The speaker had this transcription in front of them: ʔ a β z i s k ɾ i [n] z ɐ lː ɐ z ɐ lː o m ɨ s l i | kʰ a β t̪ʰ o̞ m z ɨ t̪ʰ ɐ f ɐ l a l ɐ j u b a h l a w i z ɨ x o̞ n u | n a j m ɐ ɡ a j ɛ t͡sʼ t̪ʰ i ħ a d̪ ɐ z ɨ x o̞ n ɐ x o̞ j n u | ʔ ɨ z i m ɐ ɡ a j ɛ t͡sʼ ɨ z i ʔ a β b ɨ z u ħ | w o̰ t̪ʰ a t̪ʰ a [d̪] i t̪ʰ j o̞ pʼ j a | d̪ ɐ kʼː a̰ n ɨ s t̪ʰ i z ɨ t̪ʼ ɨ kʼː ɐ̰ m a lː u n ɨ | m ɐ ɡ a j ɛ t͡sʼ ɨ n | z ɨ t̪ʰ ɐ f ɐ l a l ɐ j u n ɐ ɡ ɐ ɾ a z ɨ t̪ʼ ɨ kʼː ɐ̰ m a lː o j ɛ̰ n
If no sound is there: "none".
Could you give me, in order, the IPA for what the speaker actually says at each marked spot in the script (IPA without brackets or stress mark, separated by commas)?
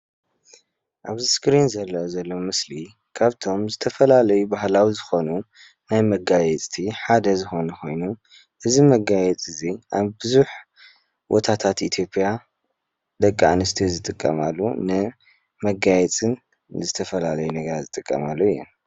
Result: n, t̪